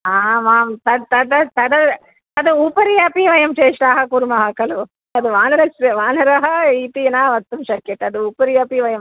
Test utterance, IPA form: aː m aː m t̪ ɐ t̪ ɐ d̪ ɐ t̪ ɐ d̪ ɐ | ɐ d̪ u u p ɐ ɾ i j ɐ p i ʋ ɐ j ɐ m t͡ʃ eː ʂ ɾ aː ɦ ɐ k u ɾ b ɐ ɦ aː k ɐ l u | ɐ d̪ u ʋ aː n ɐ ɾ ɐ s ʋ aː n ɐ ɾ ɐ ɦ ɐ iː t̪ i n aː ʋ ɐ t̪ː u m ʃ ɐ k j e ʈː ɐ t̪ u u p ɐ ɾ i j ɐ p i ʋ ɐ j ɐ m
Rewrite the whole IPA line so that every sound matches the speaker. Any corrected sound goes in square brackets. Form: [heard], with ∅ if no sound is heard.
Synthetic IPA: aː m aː m t̪ ɐ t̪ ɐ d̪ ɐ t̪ ɐ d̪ ɐ | ɐ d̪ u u p ɐ ɾ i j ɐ p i ʋ ɐ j ɐ m t͡ʃ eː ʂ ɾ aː ɦ ɐ k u ɾ [m] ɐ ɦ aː k ɐ l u | ɐ d̪ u ʋ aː n ɐ ɾ ɐ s ʋ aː n ɐ ɾ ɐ ɦ ɐ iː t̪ i n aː ʋ ɐ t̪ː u m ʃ ɐ k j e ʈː ɐ [d̪] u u p ɐ ɾ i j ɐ p i ʋ ɐ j ɐ m